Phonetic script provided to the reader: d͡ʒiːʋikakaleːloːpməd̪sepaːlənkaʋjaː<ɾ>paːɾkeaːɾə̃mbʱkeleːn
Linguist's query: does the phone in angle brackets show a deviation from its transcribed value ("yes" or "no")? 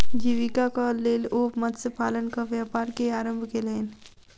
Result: yes